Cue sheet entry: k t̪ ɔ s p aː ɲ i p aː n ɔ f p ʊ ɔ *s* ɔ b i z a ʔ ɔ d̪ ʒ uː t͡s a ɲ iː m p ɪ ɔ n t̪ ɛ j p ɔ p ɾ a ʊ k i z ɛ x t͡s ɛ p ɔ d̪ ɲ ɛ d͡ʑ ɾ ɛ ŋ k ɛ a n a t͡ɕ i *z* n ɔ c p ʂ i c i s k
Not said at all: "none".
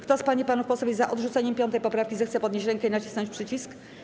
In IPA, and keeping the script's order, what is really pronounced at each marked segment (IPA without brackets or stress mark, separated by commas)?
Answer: s, s